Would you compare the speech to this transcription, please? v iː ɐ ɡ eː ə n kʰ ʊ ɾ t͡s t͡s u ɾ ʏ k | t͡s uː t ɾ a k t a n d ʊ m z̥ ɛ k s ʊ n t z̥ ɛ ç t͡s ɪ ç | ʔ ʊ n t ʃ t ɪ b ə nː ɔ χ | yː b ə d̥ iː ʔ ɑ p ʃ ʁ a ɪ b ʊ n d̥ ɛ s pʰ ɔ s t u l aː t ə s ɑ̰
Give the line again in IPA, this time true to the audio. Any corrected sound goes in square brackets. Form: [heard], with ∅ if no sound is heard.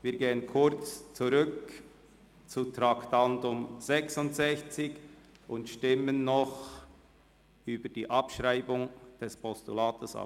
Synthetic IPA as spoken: v iː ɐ ɡ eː ə n kʰ ʊ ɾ t͡s t͡s u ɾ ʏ k | t͡s [u] t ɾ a k t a n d ʊ m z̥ ɛ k s ʊ n t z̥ ɛ ç t͡s ɪ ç | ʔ ʊ n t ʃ t ɪ [m] ə nː ɔ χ | yː b ə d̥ iː ʔ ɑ p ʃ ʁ a ɪ b ʊ [ŋ] d̥ ɛ s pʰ ɔ s t u l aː t ə s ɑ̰